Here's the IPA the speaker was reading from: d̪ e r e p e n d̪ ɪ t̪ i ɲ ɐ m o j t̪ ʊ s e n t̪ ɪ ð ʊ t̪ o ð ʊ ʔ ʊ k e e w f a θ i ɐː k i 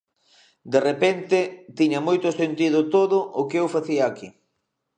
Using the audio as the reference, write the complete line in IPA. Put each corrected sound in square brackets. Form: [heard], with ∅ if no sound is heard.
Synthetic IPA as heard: d̪ e r e p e n [t̪] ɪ t̪ i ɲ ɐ m o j t̪ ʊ s e n t̪ [i] ð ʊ t̪ o ð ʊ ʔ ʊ k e e w f a θ i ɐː k i